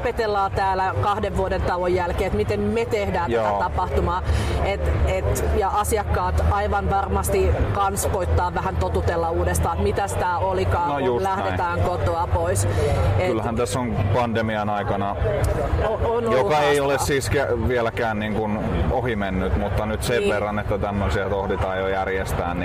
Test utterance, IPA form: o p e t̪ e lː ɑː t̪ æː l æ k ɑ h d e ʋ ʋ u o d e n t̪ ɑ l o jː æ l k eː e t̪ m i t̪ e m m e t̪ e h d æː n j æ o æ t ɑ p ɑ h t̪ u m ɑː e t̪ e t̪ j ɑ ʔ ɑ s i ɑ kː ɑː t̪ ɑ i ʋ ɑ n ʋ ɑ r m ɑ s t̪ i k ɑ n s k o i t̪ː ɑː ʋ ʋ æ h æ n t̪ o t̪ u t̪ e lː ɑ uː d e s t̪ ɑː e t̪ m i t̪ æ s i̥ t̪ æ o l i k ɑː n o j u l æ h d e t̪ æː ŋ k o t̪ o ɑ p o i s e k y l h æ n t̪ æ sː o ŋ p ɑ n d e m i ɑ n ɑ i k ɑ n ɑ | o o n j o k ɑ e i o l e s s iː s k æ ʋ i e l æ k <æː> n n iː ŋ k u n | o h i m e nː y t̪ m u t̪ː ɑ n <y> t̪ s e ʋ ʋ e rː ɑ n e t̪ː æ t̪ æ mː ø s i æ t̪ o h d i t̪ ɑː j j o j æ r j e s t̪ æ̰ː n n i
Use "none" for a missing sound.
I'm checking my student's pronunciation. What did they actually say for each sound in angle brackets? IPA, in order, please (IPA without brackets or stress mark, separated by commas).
æː, y